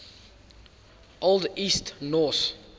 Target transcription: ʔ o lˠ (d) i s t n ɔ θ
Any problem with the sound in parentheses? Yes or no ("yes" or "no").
no